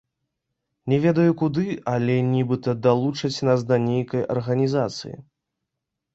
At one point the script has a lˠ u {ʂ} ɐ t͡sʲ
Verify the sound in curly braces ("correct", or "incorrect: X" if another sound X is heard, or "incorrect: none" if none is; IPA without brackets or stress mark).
incorrect: t͡ʂ